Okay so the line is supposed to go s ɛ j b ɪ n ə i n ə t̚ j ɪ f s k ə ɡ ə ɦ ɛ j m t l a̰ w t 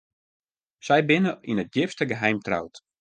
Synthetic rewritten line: s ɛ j b ɪ n ə i n ə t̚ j ɪ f s t ə ɡ ə ɦ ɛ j m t r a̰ w t